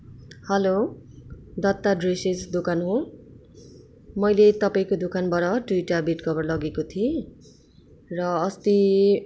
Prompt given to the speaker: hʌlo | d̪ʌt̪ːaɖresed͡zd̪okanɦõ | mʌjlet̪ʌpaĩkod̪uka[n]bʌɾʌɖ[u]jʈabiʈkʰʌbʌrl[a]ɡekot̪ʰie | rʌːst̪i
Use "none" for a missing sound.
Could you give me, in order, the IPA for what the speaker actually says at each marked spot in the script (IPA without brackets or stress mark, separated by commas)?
n, u, ʌ